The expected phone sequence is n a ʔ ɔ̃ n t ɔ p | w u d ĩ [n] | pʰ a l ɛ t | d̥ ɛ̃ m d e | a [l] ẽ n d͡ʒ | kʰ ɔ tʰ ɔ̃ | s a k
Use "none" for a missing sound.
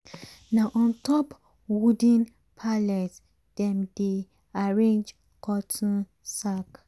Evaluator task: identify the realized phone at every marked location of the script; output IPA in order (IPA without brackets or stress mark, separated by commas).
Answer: n, ɹ